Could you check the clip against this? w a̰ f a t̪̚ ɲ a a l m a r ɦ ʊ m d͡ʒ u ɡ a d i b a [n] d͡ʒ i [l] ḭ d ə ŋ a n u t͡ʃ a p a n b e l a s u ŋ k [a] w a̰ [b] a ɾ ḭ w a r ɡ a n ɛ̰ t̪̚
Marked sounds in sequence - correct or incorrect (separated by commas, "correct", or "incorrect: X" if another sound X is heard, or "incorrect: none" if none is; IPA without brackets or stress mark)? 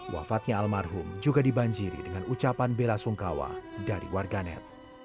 incorrect: ɲ, incorrect: ɾ, correct, incorrect: d